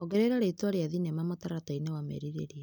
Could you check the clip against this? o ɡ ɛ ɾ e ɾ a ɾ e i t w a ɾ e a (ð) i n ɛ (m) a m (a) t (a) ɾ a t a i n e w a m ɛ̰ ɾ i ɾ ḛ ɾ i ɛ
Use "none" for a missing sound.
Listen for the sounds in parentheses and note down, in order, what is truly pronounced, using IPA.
ð, m, a, a

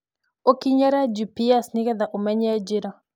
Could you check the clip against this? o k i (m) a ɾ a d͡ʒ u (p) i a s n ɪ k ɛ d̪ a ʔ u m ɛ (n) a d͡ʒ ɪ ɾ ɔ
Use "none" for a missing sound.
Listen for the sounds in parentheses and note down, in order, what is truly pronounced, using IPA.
ɲ, p, ɲ

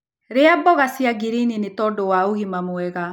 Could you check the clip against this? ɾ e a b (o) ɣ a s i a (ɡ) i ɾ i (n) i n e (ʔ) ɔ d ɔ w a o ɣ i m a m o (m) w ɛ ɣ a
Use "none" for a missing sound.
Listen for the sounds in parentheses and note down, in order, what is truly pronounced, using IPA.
ɔ, ɡ, n, t, none

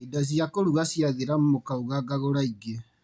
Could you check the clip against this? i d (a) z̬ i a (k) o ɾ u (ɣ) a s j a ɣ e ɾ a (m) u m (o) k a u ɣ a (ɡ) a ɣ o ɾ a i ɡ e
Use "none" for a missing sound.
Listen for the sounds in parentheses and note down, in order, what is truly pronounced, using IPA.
a, k, ɣ, m, o, ɡ

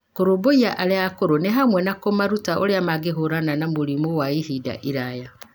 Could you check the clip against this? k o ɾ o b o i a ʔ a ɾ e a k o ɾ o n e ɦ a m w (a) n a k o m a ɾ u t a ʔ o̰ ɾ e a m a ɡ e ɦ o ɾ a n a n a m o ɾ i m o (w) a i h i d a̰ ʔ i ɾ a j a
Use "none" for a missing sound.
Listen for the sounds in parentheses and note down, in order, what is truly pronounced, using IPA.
ɛ, w

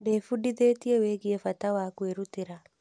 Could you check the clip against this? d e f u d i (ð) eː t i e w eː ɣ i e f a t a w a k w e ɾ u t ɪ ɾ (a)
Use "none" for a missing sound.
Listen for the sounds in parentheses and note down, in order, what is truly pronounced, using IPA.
ð, a

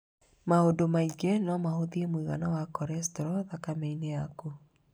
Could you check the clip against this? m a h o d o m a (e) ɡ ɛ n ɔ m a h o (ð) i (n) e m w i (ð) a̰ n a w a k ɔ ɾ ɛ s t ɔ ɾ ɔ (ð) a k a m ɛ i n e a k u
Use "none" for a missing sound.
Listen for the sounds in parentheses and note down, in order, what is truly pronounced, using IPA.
i, ð, none, ɣ, ð

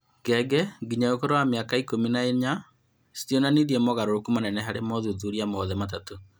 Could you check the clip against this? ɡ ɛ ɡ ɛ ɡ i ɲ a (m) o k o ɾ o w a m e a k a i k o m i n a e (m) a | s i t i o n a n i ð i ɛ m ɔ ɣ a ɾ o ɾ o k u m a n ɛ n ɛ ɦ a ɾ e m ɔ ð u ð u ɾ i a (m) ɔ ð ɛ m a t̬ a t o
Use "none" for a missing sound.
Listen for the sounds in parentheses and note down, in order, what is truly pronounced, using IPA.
none, ɲ, m

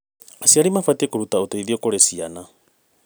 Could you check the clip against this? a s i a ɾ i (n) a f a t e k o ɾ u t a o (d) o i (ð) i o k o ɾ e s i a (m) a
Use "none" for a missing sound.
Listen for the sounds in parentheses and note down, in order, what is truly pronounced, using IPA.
m, t, ð, n

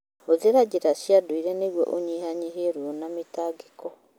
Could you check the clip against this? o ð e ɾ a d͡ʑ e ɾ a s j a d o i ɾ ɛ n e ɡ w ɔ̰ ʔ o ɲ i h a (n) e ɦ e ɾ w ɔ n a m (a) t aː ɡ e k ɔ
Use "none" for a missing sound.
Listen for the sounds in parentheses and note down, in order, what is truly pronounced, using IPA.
ɲ, e

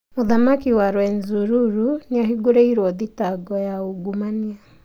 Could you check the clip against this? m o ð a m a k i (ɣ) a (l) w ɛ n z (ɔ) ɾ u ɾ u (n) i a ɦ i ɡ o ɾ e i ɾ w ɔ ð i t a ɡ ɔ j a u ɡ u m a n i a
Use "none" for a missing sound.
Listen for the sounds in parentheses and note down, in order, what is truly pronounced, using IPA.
w, ɾ, u, n

